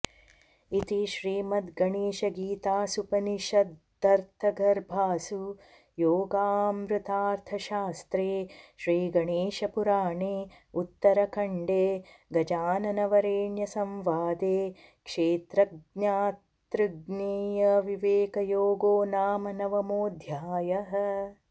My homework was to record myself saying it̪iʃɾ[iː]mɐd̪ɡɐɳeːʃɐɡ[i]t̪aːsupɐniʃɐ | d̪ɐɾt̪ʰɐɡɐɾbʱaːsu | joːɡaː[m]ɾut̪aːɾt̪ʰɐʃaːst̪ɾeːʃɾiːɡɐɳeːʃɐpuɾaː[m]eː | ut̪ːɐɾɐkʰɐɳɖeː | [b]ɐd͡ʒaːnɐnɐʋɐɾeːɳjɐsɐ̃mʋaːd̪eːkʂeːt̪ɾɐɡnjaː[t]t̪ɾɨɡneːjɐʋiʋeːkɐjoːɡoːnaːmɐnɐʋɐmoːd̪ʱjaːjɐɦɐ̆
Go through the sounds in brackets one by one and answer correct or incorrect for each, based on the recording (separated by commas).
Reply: correct, incorrect, correct, incorrect, incorrect, correct